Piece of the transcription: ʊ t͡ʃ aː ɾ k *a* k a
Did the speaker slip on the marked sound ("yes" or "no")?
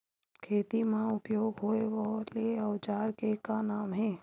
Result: yes